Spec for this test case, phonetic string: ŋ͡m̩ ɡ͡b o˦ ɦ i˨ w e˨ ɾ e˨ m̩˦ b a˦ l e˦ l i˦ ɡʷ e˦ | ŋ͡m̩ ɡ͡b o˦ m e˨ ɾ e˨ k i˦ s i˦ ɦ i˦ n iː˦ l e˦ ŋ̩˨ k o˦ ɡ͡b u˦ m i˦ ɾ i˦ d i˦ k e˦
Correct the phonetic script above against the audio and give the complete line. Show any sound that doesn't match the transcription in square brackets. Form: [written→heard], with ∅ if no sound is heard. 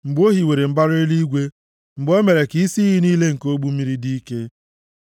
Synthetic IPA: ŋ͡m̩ ɡ͡b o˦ ɦ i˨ w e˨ ɾ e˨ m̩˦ b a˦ [l→ɾ] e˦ l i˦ ɡʷ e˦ | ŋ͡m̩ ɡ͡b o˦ m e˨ ɾ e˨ k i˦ s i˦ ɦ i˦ n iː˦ l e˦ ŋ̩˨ k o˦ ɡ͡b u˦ m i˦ ɾ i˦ d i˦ k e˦

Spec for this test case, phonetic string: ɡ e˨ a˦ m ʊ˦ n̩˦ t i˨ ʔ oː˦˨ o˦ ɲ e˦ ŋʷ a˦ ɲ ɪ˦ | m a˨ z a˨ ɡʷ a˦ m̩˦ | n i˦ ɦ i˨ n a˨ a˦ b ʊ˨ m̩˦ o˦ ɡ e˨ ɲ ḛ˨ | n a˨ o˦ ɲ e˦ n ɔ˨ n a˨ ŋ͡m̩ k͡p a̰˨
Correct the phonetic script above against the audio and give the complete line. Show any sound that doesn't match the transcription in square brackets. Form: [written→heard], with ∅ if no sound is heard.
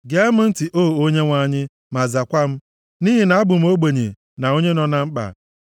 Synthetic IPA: ɡ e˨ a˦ m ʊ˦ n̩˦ t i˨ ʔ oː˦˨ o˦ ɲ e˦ ŋʷ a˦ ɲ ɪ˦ | m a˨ z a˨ [ɡʷ→kʷ] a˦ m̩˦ | n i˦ ɦ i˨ n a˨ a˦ b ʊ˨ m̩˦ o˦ [ɡ→ɡ͡b] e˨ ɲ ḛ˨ | n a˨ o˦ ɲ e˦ n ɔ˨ n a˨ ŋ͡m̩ k͡p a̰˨

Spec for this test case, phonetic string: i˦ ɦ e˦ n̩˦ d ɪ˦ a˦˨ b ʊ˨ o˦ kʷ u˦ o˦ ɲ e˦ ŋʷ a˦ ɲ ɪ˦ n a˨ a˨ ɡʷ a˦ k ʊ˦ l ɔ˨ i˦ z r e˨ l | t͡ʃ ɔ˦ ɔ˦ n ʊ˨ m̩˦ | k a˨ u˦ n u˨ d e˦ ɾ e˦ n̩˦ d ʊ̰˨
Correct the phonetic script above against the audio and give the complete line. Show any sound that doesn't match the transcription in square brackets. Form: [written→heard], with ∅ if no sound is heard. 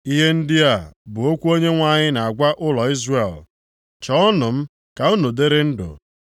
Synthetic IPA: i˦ ɦ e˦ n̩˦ d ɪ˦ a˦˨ b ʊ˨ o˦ kʷ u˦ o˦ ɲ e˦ ŋʷ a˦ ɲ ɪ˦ n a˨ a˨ ɡʷ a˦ [k→ʔ] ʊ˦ l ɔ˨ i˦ z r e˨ l | t͡ʃ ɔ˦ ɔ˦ n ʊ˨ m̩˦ | k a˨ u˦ n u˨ d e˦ ɾ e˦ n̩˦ d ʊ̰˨

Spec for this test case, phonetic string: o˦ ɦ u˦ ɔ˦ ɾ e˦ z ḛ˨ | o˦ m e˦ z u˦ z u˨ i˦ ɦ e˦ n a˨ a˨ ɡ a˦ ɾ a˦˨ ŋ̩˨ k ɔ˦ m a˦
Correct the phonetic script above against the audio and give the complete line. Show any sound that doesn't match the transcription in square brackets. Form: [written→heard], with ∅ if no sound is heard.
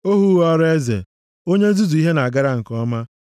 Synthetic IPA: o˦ ɦ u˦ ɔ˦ ɾ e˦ z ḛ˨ | o˦ [m→ɲ] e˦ z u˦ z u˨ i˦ ɦ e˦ n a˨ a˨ ɡ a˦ ɾ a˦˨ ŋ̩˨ k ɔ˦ m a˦

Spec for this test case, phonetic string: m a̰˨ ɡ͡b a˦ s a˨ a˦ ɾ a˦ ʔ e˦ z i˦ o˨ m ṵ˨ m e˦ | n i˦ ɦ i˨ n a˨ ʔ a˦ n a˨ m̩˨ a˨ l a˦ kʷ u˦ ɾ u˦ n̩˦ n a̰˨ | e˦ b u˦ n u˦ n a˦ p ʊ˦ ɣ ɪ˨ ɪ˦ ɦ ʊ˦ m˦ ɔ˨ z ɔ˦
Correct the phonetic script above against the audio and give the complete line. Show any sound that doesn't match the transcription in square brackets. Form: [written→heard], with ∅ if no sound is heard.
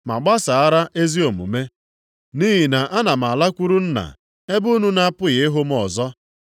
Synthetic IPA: m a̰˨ ɡ͡b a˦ s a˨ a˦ ɾ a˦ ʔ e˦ z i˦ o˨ m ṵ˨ m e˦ | n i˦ ɦ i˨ n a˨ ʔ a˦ n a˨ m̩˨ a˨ l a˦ kʷ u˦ ɾ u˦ n̩˦ n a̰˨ | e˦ b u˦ n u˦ n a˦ p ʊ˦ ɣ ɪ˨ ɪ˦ ɦ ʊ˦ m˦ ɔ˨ z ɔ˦

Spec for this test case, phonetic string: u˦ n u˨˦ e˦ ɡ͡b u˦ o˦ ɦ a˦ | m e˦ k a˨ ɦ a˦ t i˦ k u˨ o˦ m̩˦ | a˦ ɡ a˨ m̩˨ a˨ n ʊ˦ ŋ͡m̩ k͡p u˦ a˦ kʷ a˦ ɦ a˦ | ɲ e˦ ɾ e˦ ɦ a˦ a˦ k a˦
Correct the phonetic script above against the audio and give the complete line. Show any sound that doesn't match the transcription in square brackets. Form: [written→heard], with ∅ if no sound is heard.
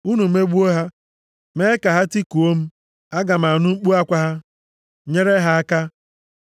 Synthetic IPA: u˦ n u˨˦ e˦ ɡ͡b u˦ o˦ ɦ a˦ | m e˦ k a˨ ɦ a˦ t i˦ k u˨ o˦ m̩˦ | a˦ ɡ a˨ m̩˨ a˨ n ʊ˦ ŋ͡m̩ k͡p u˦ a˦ kʷ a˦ ɦ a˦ | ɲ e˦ ɾ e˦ ɦ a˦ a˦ k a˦

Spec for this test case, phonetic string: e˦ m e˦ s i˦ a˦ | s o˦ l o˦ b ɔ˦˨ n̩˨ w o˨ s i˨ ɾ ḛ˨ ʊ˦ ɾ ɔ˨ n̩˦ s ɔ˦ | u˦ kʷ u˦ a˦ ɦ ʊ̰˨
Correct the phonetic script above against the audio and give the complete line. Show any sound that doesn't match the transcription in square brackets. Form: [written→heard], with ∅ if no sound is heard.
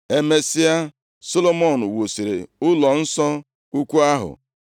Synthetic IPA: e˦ m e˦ s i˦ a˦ | s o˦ l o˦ [b→m] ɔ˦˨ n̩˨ w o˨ s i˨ ɾ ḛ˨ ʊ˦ [ɾ→l] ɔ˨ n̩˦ s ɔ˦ | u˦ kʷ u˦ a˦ ɦ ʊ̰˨

